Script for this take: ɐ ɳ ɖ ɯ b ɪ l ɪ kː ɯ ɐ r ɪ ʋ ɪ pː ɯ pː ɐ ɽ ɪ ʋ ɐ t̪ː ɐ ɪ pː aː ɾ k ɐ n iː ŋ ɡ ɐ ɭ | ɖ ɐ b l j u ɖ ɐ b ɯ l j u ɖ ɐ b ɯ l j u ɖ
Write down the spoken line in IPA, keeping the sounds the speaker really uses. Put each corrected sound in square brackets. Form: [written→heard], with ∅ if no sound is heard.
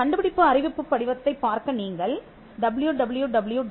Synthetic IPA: ɐ ɳ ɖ ɯ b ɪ [l→ɽ] ɪ [kː→pː] ɯ ɐ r ɪ ʋ ɪ pː ɯ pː ɐ ɽ ɪ ʋ ɐ t̪ː ɐ ɪ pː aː ɾ k ɐ n iː ŋ ɡ ɐ ɭ | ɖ ɐ b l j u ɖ ɐ b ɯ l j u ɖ ɐ b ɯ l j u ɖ